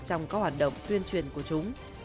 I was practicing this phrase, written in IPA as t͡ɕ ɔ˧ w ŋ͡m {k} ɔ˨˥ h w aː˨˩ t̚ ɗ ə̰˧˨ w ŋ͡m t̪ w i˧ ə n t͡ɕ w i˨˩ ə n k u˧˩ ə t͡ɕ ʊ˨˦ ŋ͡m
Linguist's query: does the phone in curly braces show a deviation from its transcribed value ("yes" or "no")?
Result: no